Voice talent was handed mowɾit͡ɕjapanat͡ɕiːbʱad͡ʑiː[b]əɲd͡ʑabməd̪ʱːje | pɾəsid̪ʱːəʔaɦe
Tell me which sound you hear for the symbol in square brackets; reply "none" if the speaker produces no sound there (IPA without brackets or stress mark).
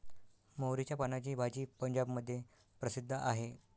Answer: p